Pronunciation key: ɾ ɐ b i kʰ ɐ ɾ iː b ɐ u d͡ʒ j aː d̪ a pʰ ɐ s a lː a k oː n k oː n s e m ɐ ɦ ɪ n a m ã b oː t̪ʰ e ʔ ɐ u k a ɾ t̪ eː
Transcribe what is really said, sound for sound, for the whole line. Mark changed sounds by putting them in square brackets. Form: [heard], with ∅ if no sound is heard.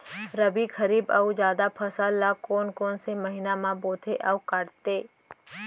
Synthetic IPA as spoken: ɾ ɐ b i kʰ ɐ ɾ iː b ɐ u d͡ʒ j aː d̪ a pʰ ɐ s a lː a k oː n k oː n s e m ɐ ɦ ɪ n a m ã b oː t̪ʰ e ʔ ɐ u k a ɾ t̪ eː